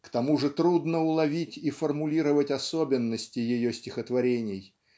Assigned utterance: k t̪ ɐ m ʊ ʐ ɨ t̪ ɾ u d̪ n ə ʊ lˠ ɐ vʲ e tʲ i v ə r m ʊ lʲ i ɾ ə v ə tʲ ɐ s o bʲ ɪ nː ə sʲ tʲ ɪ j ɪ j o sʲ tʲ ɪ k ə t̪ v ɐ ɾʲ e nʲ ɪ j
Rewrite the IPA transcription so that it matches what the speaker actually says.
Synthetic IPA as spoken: k t̪ ɐ m u ʐ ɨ t̪ ɾ u d̪ n ə ʊ lˠ ɐ vʲ i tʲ i f ə r m ʊ lʲ i ɾ ə v ə tʲ ɐ s o bʲ ɪ nː ə sʲ tʲ ɪ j ɪ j o sʲ tʲ ɪ x ə t̪ v ɐ ɾʲ e nʲ ɪ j

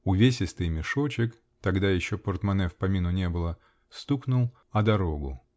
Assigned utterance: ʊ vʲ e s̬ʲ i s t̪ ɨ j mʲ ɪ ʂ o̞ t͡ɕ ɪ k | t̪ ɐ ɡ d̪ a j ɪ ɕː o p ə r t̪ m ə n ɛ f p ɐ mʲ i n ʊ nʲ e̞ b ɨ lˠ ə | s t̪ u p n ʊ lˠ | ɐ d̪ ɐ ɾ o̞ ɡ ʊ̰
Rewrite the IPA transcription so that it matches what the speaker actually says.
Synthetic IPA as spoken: ʊ vʲ e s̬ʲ ɪ s t̪ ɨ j mʲ ɪ ʂ o̞ t͡ɕ ɪ k | t̪ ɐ ɡ d̪ a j ɪ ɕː o p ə r t̪ m ɐ n ɛ f p ɐ mʲ i n ʊ nʲ e̞ b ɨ lˠ ə | s t̪ u k n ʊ lˠ | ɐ d̪ ɐ ɾ o̞ ɡ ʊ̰

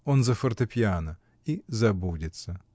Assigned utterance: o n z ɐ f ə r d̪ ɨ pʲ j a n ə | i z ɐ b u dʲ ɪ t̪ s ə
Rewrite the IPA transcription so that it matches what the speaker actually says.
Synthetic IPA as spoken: o n z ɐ f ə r t̪ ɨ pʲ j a n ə | i z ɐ b u dʲ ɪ t̪ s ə

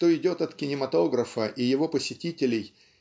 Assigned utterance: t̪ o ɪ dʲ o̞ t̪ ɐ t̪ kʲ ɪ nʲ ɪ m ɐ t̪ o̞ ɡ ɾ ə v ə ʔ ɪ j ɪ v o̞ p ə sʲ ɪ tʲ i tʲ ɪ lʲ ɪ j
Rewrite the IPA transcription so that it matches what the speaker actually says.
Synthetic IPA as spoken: t̪ o ɪ dʲ o̞ t̪ ɐ t̪ kʲ ɪ nʲ ɪ m ɐ t̪ o̞ ɡ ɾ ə f ə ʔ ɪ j ɪ v o̞ p ə sʲ ɪ tʲ i tʲ ɪ lʲ ɪ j

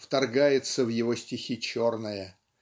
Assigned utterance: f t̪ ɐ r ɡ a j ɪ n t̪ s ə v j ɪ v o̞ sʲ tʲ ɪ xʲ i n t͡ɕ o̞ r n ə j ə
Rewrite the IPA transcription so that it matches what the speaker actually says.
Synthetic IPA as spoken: f t̪ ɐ r ɡ a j ɪ t̪ s ə v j ɪ v o̞ sʲ tʲ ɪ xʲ i t͡ɕ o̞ r n ə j ə

